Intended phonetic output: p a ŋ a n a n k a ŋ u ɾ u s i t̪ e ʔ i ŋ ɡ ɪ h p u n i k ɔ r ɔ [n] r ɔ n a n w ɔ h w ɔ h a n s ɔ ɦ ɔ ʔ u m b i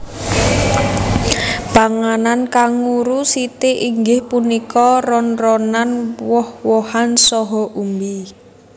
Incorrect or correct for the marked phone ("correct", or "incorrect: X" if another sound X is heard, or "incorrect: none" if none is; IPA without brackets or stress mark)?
correct